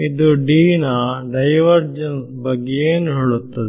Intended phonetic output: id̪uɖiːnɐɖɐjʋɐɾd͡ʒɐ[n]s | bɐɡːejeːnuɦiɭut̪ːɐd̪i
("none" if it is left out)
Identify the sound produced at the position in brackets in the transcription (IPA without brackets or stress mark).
n